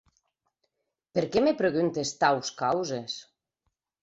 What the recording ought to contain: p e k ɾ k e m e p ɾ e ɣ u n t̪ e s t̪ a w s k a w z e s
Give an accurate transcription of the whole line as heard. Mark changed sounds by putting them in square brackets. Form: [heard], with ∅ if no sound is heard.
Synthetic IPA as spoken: p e [∅] ɾ k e m e p ɾ e ɣ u n t̪ e s t̪ a w s k a w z e s